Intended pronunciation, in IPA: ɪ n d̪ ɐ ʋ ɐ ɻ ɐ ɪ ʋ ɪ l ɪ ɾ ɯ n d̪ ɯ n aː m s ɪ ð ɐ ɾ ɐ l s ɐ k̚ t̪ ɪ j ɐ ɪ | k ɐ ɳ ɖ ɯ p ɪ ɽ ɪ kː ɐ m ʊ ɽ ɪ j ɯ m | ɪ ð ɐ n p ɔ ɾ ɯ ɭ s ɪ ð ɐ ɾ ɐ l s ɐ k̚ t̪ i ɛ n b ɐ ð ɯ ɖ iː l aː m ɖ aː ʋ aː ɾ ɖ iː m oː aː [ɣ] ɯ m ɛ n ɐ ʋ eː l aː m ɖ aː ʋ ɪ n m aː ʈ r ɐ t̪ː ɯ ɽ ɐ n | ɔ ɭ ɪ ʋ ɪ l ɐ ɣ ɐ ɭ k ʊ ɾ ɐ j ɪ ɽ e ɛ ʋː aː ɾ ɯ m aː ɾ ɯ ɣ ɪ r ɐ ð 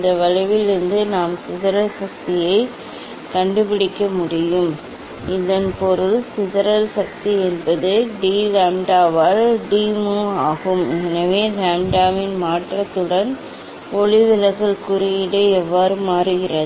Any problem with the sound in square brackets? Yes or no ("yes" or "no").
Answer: no